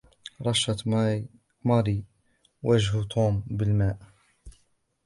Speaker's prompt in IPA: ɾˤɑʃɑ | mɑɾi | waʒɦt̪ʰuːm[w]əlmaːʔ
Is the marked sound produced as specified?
no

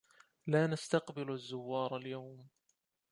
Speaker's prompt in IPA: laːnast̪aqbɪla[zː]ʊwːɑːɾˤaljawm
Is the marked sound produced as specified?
yes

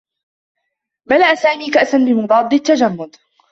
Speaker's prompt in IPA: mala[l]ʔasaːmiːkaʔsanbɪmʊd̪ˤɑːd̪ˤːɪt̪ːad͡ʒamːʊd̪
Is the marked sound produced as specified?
no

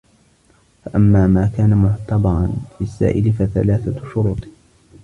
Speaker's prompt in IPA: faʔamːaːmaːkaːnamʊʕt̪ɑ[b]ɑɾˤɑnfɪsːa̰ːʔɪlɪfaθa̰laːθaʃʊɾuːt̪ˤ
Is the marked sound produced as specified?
yes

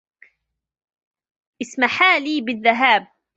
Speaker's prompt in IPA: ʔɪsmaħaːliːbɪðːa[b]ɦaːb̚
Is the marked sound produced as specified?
no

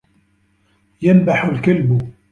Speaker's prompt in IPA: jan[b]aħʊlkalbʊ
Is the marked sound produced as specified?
yes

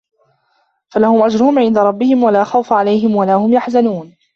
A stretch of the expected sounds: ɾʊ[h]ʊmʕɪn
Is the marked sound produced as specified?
yes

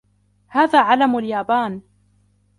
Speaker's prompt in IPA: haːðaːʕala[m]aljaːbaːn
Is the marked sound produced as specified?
yes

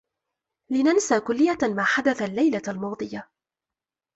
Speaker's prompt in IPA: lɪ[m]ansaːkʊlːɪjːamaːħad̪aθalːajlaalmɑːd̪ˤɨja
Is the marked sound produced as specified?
no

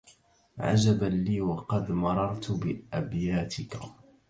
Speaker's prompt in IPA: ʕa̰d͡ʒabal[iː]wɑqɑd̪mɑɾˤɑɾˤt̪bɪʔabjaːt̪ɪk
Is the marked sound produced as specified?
yes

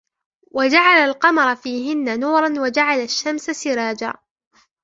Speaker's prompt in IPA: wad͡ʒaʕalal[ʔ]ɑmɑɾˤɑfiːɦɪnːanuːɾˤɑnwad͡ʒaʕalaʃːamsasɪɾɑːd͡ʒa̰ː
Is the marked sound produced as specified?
no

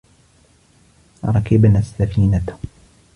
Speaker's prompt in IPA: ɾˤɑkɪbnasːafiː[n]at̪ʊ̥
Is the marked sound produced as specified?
yes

